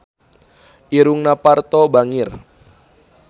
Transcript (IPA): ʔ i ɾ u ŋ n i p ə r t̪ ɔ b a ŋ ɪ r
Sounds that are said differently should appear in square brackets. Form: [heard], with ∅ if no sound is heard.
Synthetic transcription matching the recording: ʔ i ɾ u ŋ n [a] p [a] r t̪ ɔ b a ŋ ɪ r